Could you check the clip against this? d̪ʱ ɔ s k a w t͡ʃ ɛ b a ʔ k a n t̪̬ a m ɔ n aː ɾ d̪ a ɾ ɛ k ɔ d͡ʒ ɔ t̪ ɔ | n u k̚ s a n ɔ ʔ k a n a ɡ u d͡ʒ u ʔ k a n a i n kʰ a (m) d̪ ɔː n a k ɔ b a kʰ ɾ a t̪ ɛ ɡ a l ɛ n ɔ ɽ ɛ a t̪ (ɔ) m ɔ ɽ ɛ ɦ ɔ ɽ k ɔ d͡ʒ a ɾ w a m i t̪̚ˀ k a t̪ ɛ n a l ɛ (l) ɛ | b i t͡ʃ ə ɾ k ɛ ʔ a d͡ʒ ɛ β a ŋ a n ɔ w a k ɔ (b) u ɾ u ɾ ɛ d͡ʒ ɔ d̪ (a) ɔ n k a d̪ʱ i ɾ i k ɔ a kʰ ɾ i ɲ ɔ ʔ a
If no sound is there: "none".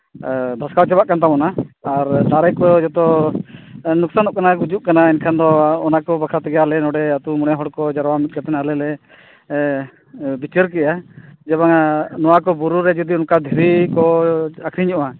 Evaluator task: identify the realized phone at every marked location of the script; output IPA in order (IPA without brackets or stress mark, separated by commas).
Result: n, u, l, b, i